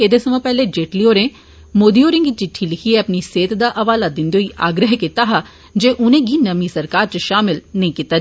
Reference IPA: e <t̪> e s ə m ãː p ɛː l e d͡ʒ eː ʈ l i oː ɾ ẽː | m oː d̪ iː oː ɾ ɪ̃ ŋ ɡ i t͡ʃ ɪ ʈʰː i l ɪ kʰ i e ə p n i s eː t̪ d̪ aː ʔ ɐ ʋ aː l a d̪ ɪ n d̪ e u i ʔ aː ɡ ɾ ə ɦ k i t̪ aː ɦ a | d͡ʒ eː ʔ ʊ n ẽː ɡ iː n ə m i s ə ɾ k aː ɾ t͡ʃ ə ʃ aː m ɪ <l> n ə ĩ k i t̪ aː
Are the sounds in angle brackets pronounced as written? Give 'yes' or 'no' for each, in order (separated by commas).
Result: no, yes